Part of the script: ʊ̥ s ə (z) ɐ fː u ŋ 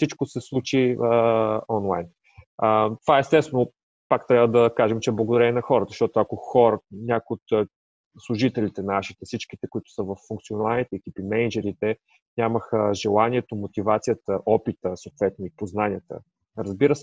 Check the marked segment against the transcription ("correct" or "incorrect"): incorrect